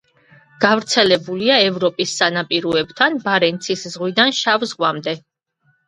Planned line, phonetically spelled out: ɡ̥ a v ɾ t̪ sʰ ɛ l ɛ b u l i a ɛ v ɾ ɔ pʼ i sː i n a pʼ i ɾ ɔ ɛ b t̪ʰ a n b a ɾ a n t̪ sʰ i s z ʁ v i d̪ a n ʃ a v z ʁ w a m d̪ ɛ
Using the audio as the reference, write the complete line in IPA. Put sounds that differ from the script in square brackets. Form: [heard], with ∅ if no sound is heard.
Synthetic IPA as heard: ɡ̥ a v ɾ t̪ sʰ ɛ l ɛ b u l i a ɛ v ɾ ɔ pʼ i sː [a] n a pʼ i ɾ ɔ ɛ b t̪ʰ a n b a ɾ [ɛ] n t̪ sʰ i s z ʁ [w] i d̪ a n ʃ a v z ʁ w a m d̪ ɛ